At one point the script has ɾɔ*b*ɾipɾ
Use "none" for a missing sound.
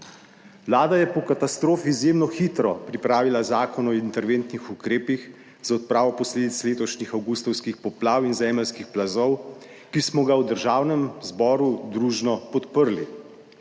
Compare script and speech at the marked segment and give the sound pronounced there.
p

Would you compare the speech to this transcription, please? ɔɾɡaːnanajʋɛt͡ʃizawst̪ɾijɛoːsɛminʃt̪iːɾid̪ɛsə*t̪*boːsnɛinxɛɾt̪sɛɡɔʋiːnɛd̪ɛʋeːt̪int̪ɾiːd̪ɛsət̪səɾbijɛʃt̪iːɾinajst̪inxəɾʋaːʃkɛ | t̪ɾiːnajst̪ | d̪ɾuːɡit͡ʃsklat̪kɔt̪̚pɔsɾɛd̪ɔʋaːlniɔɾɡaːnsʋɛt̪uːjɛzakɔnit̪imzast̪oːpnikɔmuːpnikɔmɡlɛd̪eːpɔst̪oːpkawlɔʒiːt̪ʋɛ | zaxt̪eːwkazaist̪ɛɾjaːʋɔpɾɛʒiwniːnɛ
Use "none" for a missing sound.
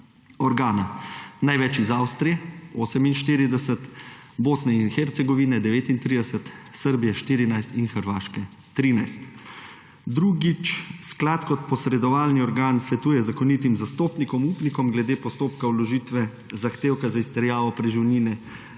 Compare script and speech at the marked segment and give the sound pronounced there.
t̪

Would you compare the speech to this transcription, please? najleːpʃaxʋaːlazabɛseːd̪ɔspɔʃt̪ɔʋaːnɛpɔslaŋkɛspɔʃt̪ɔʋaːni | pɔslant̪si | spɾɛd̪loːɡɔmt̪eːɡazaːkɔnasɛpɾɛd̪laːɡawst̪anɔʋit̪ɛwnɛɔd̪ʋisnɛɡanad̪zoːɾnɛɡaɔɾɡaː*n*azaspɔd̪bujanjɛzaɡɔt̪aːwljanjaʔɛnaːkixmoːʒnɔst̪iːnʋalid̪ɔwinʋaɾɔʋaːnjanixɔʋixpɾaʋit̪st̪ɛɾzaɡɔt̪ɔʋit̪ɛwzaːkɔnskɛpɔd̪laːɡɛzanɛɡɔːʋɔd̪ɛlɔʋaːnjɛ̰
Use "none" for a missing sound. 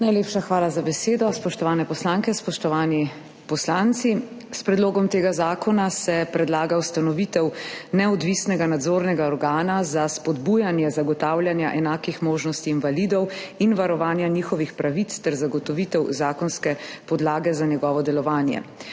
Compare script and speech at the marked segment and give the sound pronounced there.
n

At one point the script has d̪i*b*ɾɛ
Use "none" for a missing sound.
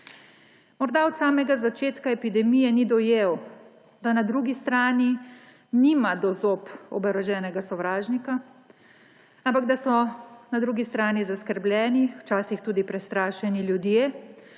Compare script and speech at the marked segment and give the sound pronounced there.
p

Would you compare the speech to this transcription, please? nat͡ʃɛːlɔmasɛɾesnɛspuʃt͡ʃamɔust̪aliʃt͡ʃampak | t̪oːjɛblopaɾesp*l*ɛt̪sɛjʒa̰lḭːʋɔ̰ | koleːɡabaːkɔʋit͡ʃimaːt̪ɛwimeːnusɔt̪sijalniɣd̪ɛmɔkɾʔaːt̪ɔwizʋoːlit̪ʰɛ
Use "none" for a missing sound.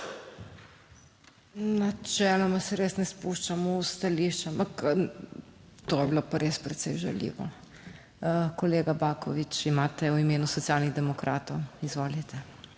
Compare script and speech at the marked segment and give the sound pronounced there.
ɾ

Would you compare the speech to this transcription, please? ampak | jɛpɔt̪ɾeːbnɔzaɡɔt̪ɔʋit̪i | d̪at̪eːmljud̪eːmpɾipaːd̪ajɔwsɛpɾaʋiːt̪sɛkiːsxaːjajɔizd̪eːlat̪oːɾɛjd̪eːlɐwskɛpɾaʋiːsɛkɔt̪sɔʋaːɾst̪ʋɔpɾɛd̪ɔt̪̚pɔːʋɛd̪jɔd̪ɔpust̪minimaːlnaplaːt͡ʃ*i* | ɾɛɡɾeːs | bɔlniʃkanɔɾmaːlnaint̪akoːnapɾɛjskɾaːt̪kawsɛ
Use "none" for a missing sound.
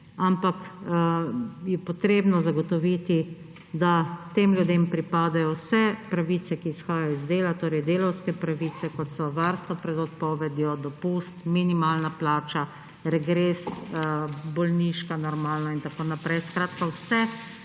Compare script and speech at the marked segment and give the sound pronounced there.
a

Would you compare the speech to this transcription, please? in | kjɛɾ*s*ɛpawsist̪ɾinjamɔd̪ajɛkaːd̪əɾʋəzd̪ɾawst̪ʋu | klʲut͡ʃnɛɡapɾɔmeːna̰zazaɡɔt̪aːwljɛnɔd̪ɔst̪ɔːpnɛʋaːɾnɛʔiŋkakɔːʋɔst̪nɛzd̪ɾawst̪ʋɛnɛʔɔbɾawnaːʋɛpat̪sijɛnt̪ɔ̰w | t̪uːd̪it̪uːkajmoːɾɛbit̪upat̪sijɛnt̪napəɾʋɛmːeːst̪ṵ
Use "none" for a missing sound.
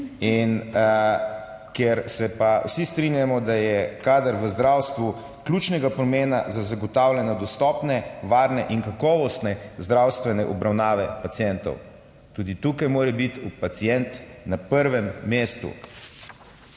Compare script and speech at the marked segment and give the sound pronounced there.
s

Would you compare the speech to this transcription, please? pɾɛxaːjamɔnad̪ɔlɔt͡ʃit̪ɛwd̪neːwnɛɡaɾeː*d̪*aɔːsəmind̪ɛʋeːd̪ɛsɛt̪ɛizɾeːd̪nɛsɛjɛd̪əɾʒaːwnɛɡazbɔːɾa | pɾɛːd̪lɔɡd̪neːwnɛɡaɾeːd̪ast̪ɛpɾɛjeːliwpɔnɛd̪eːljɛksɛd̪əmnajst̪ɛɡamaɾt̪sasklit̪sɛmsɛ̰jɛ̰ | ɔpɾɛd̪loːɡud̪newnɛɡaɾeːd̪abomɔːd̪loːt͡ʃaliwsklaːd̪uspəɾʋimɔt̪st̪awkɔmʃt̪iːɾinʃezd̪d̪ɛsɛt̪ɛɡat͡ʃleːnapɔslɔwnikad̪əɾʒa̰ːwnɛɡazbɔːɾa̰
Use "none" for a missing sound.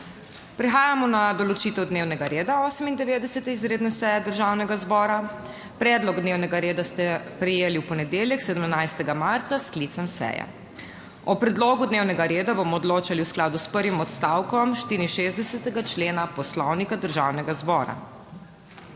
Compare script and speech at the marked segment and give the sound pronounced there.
d̪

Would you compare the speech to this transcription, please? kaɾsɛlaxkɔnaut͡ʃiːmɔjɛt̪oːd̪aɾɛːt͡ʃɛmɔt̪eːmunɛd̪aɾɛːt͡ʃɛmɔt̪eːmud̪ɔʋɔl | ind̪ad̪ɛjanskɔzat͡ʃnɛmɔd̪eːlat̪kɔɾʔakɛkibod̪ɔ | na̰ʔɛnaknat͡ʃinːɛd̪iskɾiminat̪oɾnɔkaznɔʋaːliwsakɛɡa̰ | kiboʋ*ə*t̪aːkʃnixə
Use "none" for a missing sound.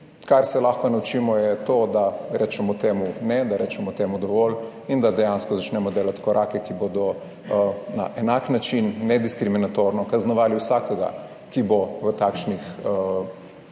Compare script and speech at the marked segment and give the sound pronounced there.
ə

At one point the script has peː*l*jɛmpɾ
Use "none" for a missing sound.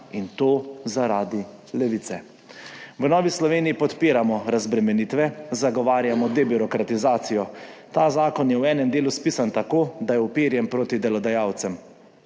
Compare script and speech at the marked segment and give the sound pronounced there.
ɾ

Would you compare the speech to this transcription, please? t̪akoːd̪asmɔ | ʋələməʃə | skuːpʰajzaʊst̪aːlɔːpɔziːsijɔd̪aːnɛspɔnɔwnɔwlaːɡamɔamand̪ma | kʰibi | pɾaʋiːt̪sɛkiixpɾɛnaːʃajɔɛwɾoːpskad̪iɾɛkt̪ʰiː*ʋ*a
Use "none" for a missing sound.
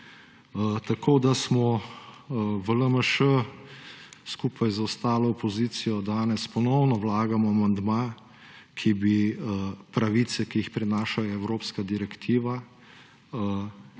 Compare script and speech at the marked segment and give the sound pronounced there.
ʋ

